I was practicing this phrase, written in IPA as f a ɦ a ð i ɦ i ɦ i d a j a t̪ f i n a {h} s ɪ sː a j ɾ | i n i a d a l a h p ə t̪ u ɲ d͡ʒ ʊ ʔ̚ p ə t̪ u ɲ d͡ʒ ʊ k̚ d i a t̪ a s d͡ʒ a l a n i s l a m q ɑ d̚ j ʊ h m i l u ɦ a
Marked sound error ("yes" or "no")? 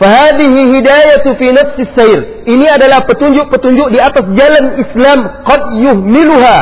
yes